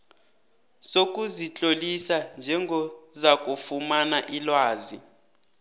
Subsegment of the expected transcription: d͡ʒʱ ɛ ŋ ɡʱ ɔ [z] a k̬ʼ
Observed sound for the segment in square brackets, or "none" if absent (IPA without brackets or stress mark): z